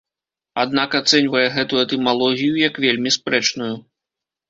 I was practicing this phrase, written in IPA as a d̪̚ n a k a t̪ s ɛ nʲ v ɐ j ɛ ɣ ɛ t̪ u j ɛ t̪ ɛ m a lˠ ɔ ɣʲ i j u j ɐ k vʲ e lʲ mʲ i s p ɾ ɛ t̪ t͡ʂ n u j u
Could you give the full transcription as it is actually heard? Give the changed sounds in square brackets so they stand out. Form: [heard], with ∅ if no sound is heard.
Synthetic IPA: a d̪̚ n a k a t̪ s ɛ nʲ v ɐ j ɛ ɣ ɛ t̪ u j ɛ t̪ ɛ m a lˠ ɔ ɣʲ i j u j ɐ k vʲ e lʲ mʲ i s p ɾ ɛ [∅] t͡ʂ n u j u